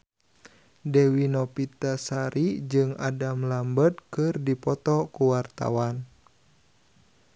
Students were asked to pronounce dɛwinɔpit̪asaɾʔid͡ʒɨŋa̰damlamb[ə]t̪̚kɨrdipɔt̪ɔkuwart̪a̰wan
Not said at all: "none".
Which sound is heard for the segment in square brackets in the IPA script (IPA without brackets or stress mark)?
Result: ə